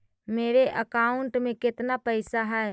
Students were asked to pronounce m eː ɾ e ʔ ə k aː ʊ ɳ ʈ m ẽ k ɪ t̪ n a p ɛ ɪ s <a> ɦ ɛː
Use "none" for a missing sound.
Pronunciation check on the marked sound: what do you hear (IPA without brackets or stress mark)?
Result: a